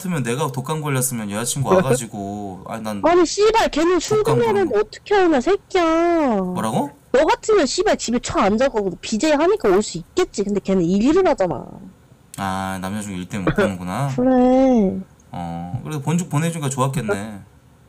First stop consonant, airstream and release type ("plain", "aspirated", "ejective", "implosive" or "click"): aspirated